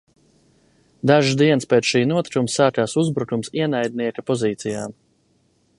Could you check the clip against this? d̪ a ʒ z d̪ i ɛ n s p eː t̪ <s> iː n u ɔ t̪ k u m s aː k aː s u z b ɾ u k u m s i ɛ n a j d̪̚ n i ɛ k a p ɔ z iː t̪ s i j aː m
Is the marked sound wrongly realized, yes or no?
yes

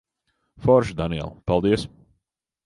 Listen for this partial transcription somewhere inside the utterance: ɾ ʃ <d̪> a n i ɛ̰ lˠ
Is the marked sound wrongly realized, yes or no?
no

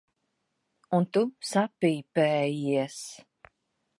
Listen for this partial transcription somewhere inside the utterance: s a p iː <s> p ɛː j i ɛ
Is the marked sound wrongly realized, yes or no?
yes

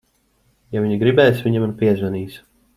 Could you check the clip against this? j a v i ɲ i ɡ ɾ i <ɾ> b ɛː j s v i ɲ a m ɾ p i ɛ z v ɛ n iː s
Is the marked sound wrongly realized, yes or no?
yes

